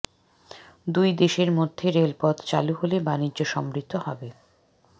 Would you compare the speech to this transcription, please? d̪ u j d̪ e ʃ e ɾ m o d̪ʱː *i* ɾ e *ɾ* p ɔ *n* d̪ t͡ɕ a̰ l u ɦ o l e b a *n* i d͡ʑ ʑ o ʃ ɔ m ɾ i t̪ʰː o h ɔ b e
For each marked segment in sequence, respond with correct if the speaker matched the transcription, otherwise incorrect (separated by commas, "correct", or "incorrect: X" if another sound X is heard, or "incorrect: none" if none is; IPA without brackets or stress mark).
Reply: incorrect: e, incorrect: l, incorrect: none, correct